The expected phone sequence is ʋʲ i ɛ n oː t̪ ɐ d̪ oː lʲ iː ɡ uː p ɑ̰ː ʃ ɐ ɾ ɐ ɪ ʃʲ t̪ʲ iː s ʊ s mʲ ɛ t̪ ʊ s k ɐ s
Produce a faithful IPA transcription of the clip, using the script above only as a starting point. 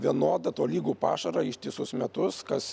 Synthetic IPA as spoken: ʋʲ i ɛ n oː d̪ ɐ t̪ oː lʲ iː ɡ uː p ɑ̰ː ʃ ɐ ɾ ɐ ɪ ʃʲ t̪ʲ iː s ʊ s mʲ ɛ t̪ ʊ s k ɐ s